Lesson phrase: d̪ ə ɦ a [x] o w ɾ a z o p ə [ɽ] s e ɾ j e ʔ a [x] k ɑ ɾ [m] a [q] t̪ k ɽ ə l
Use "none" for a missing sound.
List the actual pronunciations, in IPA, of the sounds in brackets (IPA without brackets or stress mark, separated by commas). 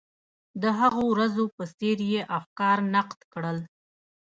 ɣ, none, f, n, q